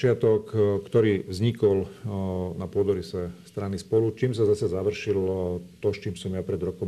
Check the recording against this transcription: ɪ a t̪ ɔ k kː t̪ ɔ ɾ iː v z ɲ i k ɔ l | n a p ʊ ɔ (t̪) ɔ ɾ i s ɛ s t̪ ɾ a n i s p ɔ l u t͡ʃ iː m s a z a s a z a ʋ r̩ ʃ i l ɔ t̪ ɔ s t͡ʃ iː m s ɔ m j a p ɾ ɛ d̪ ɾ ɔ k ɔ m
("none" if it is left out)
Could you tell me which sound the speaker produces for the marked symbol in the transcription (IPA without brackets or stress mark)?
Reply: d̪